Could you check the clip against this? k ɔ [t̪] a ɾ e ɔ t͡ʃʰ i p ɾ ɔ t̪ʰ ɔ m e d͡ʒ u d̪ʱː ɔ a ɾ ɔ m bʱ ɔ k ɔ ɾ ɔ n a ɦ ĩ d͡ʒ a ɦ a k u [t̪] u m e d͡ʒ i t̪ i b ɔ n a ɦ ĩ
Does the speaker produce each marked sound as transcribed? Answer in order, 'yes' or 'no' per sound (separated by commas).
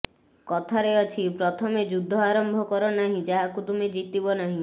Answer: no, yes